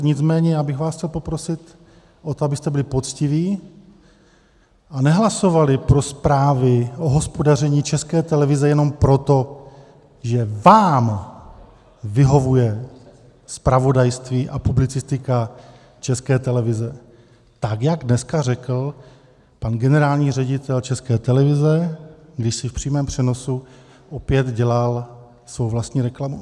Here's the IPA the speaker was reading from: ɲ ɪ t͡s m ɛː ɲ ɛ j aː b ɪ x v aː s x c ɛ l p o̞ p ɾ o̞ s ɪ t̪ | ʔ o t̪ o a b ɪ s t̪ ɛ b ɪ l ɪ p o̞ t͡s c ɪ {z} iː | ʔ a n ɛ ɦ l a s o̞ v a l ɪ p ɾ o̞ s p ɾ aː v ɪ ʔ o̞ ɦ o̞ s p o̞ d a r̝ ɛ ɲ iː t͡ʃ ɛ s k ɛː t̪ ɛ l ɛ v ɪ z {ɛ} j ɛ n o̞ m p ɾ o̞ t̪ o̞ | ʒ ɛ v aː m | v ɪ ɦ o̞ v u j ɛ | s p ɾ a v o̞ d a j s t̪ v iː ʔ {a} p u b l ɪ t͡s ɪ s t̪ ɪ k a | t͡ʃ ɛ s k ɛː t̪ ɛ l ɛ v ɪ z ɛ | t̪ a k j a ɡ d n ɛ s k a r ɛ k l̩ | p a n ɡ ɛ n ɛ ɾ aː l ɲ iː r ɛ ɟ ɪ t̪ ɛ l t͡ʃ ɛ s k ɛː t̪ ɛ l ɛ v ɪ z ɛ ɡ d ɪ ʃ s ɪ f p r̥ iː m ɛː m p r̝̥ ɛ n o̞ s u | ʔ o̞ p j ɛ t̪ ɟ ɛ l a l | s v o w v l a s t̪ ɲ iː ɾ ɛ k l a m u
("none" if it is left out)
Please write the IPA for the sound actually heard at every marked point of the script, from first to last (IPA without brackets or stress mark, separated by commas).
v, ɛ, a